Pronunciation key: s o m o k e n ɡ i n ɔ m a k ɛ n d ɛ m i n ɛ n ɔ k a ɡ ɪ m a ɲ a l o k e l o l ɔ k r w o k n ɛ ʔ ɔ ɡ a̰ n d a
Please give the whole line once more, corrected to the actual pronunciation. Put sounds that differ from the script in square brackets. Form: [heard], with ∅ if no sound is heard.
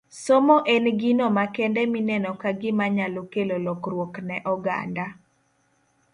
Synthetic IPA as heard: s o m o [ʔ] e n ɡ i n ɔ m a k ɛ n d ɛ m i n ɛ n ɔ k a ɡ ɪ m a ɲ a l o k e l o l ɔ k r w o k n ɛ ʔ ɔ ɡ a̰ n d a